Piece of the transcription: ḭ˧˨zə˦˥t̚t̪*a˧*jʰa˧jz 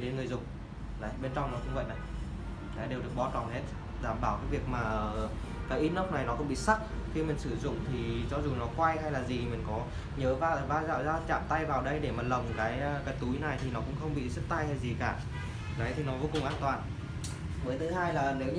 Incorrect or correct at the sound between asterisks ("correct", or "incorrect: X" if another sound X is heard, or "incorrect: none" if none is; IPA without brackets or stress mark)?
correct